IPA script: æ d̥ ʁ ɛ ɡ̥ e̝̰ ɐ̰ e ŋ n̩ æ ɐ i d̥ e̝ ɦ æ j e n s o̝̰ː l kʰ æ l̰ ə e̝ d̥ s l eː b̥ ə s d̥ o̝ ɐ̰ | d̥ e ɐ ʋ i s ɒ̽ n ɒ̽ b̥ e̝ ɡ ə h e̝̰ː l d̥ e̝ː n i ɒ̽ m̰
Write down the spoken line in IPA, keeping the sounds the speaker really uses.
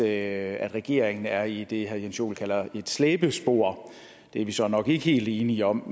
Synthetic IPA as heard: æ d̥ ʁ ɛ ɡ̥ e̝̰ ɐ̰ e ŋ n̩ æ ɐ i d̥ e̝ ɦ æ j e n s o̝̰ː l kʰ æ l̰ ɐ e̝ d̥ s l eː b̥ ə s b̥ o̝ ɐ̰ | d̥ e ɐ ʋ i s ɒ̽ n ɒ̽ ɡ̥ e̝ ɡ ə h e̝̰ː l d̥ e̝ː n i ɒ̽ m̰